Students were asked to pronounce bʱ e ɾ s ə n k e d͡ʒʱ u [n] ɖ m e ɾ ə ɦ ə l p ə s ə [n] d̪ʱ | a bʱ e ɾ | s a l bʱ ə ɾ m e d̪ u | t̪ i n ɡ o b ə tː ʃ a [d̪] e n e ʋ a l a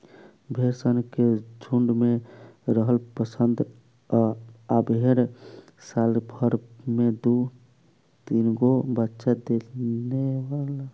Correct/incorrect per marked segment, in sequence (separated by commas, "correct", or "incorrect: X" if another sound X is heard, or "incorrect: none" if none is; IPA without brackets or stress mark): incorrect: ɳ, correct, correct